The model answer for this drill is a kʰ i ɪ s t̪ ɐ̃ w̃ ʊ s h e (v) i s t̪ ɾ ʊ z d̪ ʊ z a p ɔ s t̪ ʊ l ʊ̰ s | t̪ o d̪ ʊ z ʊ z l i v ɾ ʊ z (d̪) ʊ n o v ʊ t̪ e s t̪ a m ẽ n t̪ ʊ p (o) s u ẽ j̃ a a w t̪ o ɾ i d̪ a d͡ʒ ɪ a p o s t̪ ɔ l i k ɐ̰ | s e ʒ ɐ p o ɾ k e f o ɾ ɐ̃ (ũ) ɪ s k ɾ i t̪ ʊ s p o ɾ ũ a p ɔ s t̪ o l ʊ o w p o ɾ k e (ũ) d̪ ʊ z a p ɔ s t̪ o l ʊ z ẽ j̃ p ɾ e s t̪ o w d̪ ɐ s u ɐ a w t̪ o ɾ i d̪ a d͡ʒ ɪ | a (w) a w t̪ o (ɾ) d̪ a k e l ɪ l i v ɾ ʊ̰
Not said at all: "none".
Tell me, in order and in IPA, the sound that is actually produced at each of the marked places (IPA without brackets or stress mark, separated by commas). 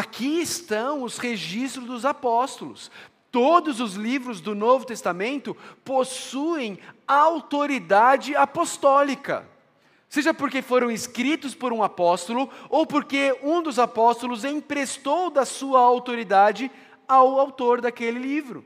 ʒ, d̪, o, w̃, ũ, w, ɾ